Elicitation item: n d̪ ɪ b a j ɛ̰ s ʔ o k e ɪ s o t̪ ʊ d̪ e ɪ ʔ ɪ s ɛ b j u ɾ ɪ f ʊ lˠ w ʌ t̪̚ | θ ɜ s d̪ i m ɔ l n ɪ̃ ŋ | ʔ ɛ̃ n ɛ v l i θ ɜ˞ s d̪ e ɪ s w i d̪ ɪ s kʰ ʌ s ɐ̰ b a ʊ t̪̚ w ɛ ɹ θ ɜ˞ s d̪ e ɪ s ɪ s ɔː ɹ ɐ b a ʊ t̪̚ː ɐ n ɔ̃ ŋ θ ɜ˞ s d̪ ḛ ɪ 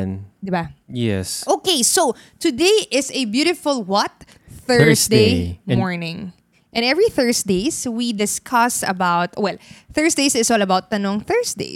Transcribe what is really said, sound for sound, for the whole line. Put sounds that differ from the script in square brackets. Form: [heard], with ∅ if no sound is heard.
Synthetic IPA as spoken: n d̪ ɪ b a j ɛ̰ s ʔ o k e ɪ s o t̪ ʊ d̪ e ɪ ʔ ɪ s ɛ b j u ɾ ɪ f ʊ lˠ w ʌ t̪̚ | θ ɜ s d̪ [e] m ɔ [ɹ] n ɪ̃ ŋ | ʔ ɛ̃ n ɛ v [ɹ] i θ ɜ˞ s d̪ e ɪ s w i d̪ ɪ s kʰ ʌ s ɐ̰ b a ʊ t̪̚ w ɛ [l] θ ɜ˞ s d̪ e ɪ s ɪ s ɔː [l] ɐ b a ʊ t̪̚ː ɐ n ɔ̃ ŋ θ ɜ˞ s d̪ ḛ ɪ